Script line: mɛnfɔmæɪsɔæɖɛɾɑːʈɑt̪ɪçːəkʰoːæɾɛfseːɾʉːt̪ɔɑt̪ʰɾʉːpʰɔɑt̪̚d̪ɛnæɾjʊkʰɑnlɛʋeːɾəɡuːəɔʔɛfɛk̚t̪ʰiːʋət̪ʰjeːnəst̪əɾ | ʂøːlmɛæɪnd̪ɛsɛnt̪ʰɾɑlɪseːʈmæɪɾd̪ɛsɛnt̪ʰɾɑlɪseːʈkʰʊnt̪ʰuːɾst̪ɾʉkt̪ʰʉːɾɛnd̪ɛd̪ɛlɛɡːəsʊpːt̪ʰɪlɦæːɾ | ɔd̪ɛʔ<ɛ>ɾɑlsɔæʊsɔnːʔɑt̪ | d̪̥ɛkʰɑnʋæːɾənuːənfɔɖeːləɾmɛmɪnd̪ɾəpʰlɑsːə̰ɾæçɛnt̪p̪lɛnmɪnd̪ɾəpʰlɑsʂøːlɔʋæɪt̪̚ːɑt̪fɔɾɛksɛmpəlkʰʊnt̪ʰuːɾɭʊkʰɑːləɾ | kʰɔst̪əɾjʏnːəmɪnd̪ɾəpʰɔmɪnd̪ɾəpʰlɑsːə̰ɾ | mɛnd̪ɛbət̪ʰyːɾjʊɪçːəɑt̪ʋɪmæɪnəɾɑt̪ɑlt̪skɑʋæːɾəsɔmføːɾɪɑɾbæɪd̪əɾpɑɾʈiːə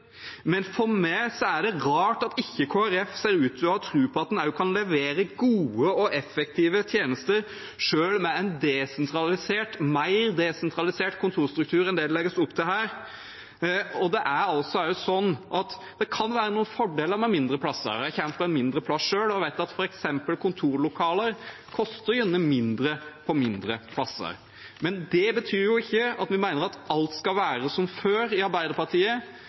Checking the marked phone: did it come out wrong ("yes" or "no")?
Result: yes